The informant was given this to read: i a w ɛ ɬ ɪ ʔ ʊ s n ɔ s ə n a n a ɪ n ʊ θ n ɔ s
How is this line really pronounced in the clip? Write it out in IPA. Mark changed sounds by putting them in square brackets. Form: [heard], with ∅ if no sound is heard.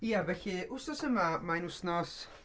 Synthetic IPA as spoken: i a [v] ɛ ɬ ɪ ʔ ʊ s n ɔ s ə [m] a [m] a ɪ n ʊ [s] n ɔ s